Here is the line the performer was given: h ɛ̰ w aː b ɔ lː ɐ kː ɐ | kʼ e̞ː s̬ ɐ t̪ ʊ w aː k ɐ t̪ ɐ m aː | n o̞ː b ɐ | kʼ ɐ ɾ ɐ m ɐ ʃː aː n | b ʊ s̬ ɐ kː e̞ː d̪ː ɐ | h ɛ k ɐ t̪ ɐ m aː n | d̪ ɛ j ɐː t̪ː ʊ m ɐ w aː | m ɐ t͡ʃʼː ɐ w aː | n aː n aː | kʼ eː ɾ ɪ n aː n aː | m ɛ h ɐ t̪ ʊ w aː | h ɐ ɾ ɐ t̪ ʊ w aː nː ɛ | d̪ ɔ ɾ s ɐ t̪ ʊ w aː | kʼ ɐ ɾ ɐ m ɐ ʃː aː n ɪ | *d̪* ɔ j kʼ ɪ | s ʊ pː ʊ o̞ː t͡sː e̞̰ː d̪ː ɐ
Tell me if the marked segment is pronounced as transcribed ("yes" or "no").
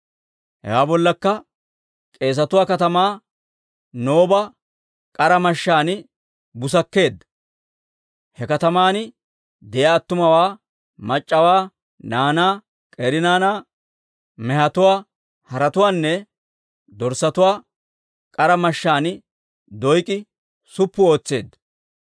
yes